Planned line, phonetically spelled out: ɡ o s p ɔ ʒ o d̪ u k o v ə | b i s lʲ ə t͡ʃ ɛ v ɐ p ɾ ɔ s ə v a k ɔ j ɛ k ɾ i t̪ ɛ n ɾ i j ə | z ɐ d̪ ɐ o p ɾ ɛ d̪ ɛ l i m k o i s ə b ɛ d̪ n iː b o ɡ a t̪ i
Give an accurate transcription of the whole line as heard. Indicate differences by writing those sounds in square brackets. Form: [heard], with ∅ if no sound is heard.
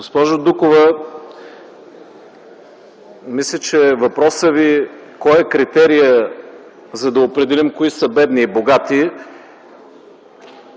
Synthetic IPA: ɡ o s p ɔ ʒ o d̪ u k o v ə | [m] i s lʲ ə t͡ʃ ɛ v ɐ p ɾ ɔ s ə v [i] k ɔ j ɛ k ɾ i t̪ ɛ [∅] ɾ i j ə | z ɐ d̪ ɐ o p ɾ ɛ d̪ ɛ l i m k o i s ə b ɛ d̪ n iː b o ɡ a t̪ i